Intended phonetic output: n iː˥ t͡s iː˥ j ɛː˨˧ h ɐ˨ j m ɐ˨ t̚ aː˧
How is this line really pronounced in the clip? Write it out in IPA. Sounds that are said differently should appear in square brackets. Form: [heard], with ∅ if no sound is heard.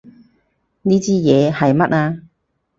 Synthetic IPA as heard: n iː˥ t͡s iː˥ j ɛː˨˧ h ɐ˨ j m [ɐ˥] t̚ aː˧